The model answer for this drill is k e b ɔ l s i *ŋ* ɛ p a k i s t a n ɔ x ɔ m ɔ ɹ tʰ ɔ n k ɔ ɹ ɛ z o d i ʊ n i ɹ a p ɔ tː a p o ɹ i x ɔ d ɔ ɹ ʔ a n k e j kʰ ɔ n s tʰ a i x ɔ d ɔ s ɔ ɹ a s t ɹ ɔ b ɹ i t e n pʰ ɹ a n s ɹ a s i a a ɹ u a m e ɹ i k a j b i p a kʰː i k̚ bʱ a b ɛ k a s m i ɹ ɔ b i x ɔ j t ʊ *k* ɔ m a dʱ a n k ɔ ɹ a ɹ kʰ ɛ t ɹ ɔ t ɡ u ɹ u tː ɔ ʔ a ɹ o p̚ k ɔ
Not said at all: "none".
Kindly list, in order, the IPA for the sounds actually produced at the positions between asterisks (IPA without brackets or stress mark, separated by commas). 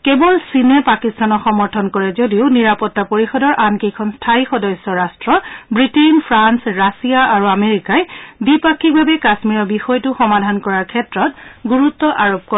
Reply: n, x